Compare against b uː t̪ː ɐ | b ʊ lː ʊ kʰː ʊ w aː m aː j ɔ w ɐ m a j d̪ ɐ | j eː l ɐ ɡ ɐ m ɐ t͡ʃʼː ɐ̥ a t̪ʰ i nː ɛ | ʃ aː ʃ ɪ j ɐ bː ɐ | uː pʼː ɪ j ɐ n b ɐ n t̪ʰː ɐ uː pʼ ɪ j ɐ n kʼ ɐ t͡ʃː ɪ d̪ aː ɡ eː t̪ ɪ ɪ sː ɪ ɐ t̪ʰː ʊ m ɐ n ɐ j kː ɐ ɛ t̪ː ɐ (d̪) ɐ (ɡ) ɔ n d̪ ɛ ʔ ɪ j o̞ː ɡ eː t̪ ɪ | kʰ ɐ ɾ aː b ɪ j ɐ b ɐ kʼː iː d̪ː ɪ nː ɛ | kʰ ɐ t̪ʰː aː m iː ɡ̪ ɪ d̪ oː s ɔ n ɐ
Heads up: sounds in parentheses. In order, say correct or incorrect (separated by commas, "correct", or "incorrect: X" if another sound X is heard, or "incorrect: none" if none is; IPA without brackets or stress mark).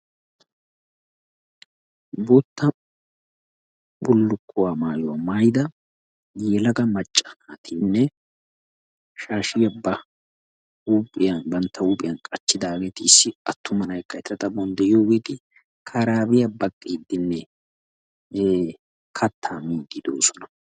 incorrect: t̪, incorrect: b